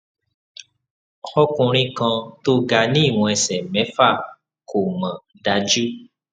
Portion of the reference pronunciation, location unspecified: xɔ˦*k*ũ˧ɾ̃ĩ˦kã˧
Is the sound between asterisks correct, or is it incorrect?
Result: correct